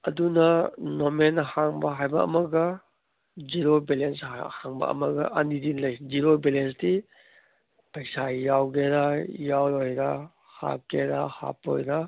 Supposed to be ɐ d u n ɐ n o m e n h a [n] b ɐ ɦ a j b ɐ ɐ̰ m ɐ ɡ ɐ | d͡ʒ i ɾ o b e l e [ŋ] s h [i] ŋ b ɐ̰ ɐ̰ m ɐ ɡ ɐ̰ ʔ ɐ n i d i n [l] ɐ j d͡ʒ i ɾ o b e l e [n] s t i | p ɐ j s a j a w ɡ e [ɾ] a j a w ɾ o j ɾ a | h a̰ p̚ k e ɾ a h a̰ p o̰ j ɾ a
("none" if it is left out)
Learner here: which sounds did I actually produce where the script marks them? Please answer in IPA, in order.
ŋ, n, a, l, n, ɾ

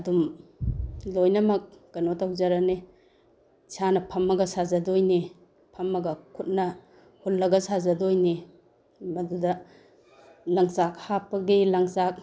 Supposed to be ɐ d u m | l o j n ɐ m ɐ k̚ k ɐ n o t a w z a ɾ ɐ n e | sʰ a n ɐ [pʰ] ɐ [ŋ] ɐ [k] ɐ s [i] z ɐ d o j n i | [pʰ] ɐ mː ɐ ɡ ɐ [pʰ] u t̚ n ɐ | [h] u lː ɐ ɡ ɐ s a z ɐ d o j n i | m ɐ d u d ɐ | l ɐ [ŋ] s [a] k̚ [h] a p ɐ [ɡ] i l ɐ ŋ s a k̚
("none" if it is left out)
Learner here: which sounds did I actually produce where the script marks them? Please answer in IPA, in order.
pʰ, m, ɡ, a, pʰ, kʰ, h, ŋ, a, h, ɡ

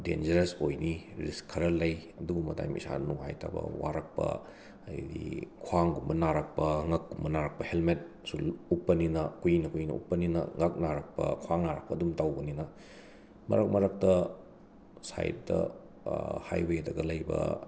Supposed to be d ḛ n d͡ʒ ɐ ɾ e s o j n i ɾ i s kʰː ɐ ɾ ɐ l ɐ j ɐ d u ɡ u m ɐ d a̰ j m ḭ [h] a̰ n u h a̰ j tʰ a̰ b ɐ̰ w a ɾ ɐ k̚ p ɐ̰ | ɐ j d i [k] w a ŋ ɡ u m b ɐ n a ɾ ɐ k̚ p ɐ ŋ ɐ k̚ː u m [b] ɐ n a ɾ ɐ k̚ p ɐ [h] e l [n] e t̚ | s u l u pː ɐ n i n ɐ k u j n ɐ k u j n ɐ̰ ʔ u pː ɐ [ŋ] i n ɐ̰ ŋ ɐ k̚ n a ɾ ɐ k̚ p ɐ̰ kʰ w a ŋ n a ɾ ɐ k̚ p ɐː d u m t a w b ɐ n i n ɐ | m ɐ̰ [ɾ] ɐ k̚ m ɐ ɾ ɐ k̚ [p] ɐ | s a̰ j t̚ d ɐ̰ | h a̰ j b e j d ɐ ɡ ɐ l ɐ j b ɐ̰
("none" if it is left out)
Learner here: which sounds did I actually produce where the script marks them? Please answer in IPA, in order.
s, kʰ, b, h, m, n, ɾ, t

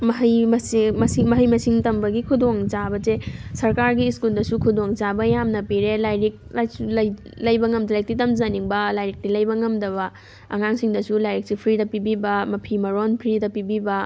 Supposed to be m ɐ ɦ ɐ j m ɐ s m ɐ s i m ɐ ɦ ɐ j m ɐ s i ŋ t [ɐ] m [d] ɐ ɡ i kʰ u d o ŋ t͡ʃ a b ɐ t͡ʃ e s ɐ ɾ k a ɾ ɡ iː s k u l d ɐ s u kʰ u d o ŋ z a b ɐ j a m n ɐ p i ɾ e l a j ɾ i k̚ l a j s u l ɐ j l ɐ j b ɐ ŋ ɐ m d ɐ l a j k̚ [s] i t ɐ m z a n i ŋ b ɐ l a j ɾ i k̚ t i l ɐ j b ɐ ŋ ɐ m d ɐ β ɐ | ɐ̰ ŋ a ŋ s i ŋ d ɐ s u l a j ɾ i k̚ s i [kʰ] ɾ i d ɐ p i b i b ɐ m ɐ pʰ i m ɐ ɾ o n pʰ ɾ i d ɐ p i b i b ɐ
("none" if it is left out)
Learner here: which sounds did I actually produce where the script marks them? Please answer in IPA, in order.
ɐ, b, t, pʰ

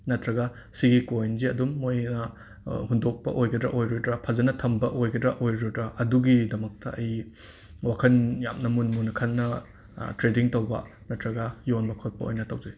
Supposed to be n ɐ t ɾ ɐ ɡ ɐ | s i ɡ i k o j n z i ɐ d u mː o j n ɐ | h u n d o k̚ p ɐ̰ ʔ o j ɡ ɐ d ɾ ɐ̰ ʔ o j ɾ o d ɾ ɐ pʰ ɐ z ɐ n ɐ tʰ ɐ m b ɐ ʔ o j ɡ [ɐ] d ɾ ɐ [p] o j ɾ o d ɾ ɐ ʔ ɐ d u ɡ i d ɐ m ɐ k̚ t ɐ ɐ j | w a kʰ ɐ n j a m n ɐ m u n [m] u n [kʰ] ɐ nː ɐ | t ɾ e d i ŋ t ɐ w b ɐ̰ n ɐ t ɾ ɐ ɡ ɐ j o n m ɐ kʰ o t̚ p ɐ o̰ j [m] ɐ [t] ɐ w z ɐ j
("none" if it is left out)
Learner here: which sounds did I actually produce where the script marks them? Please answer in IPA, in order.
ɐ, ʔ, m, kʰ, n, t

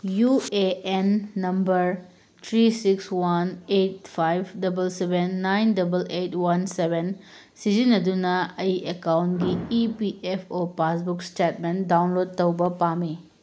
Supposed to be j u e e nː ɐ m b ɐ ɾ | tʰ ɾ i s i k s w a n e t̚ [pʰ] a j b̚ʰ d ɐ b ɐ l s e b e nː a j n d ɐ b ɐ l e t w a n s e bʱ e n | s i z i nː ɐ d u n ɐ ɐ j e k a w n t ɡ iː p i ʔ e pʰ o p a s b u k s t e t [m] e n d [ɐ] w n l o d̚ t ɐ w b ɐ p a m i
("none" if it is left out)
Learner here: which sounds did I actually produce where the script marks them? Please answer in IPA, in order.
pʰ, m, a

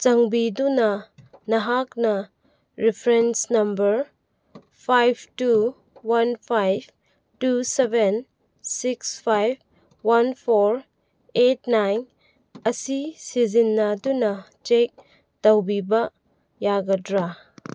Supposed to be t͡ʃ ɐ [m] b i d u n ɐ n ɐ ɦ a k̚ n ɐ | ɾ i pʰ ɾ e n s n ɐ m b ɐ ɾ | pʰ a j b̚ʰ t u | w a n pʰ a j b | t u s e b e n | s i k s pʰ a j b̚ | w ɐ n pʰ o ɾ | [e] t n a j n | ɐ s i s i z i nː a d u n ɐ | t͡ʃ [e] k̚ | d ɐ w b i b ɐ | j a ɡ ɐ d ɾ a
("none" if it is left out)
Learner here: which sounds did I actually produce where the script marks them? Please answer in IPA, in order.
ŋ, e, e

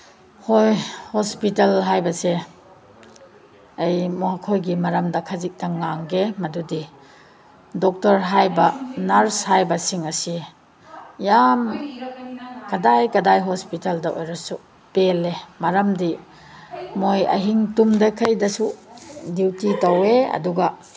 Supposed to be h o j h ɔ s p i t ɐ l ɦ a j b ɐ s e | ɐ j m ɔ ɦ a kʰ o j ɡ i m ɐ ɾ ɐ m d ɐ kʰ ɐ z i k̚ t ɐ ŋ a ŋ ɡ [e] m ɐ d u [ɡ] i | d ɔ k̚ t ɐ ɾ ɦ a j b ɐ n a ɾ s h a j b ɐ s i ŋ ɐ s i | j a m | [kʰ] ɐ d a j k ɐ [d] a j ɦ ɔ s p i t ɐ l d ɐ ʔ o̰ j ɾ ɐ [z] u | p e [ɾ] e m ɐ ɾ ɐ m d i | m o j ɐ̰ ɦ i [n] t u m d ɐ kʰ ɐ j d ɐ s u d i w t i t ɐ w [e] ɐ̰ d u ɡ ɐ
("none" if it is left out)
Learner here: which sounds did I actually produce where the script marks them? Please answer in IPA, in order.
e, d, k, d, s, l, ŋ, e

